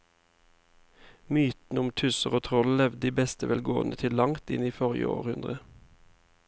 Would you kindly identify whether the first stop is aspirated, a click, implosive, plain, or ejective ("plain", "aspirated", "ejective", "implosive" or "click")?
plain